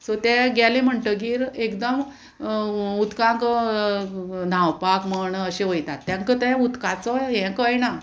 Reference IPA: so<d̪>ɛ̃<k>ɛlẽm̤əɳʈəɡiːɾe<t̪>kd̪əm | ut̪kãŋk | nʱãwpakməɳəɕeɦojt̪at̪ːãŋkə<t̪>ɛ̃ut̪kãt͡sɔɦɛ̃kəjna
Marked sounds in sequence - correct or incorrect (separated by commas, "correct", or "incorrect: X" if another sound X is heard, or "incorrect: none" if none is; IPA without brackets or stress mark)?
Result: incorrect: t̪, incorrect: ɡ, incorrect: none, correct